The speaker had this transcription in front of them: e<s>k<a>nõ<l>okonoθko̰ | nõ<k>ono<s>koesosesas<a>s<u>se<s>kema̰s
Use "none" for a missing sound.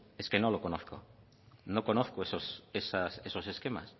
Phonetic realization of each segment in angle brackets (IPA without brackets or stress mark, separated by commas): s, e, l, k, θ, e, o, s